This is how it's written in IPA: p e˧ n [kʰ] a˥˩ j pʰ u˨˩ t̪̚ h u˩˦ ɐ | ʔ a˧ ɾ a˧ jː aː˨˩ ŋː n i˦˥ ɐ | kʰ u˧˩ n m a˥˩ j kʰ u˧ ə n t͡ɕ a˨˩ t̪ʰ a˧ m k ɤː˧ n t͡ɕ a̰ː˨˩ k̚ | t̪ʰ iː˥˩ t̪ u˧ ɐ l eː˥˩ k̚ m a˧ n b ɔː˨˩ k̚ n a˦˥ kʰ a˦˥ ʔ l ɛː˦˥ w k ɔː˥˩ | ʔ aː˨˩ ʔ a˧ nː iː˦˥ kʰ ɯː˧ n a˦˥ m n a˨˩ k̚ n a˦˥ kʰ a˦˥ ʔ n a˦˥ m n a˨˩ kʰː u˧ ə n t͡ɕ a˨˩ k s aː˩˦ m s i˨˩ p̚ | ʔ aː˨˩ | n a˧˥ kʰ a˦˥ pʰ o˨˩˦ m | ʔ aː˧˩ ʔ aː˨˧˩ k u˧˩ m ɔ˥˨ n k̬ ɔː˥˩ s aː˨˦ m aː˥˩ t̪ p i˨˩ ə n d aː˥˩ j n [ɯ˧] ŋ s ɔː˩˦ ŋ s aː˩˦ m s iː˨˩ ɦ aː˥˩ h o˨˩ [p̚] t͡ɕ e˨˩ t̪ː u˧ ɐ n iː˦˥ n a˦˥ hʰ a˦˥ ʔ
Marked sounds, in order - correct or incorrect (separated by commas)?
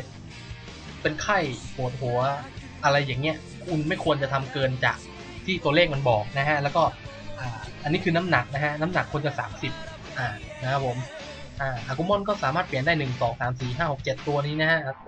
correct, incorrect, incorrect